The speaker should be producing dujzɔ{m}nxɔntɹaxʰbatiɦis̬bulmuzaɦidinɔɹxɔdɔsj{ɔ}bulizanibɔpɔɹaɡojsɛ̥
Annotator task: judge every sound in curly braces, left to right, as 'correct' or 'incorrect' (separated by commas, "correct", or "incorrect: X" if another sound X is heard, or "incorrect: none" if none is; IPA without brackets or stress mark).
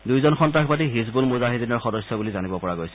incorrect: none, correct